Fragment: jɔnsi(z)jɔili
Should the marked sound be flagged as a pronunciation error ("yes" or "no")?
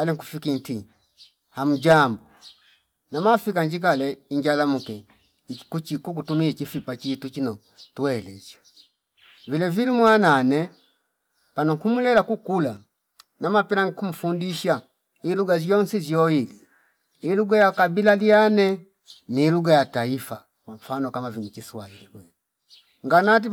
no